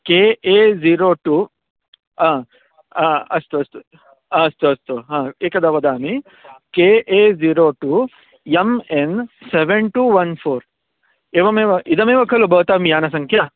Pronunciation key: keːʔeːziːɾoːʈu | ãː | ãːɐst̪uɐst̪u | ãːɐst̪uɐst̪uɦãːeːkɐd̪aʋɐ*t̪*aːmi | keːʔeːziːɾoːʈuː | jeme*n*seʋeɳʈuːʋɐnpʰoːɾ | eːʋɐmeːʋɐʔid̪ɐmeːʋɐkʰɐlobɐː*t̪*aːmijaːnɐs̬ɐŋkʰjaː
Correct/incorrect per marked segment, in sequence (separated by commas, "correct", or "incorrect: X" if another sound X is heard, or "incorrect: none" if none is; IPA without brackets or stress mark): incorrect: d̪, correct, correct